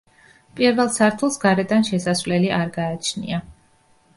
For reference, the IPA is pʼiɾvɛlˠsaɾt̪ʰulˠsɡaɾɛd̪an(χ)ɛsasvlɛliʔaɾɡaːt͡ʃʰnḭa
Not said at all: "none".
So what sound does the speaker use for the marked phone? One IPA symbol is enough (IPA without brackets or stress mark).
ʃ